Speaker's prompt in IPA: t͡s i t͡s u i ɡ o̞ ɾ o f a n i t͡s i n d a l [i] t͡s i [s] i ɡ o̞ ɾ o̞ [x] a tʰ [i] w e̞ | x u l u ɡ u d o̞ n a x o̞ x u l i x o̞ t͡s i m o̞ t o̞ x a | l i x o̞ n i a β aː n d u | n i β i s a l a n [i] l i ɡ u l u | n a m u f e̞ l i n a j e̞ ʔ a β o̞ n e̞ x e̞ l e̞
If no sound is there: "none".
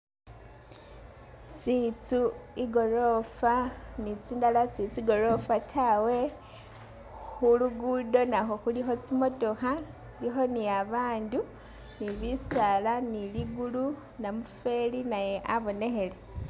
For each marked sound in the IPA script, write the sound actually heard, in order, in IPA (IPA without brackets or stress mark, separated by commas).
a, t͡s, f, a, i